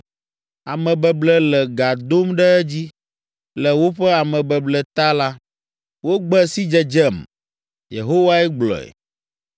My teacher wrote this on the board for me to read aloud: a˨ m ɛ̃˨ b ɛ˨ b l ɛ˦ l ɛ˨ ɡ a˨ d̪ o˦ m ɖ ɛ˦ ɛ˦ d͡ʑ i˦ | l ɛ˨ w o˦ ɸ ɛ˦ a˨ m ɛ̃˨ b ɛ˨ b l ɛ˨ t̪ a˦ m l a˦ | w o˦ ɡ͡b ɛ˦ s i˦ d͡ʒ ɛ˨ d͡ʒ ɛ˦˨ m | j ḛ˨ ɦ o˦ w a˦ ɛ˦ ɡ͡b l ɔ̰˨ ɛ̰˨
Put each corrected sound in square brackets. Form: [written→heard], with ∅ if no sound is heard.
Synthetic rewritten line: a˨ m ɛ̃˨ b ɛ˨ b l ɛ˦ l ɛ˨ ɡ a˨ d̪ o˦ m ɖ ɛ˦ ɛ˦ d͡ʑ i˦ | l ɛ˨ w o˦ ɸ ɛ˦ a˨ m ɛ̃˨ b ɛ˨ b l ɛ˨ t̪ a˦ [m→∅] l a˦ | w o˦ ɡ͡b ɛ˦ s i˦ d͡ʒ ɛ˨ d͡ʒ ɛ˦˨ m | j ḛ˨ ɦ o˦ w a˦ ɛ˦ ɡ͡b l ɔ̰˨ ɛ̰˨